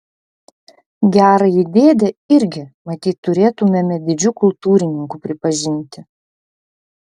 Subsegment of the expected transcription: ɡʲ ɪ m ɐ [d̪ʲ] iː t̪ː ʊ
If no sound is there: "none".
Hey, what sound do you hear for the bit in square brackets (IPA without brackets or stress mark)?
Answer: t̪ʲ